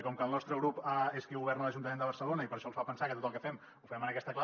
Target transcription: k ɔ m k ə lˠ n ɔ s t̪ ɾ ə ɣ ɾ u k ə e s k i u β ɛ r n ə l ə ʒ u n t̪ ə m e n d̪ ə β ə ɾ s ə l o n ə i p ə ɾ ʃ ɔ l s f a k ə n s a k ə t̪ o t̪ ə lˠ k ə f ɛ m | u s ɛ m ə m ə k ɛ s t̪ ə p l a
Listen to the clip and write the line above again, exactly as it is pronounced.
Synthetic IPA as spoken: k ɔ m k ə lˠ n ɔ s t̪ ɾ ə ɣ ɾ u p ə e s k i u β ɛ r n ə l ə ʒ u n t̪ ə m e n d̪ ə β ə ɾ s ə l o n ə i p ə ɾ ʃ ɔ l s f a p ə n s a k ə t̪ o t̪ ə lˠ k ə f ɛ m | u f ɛ m ə n ə k ɛ s t̪ ə k l a